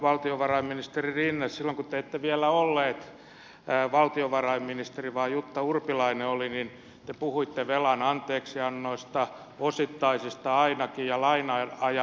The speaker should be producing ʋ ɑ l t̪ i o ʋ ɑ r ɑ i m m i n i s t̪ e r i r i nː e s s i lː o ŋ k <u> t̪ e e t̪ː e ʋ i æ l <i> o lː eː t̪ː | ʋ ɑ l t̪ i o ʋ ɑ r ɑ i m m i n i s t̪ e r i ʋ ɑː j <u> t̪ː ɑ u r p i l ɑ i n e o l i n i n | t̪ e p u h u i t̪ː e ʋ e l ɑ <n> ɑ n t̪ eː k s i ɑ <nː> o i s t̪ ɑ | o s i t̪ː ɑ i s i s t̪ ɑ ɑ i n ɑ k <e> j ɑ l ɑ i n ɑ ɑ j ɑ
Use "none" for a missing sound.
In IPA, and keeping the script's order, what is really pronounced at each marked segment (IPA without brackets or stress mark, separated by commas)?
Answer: u, æ, u, n, nː, i